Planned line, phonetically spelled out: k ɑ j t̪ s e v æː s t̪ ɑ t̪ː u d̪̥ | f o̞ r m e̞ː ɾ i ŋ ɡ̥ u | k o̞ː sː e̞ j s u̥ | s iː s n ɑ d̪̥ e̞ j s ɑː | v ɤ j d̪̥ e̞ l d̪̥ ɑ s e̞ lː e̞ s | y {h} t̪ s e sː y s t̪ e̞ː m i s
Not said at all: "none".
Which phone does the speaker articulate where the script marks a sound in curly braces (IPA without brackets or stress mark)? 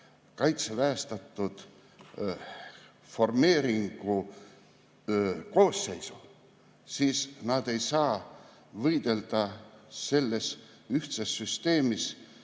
h